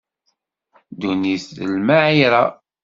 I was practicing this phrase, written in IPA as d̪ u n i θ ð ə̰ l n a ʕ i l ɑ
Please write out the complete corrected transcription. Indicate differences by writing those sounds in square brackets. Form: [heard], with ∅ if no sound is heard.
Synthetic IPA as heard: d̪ u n i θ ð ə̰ l [m] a ʕ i [ɾ] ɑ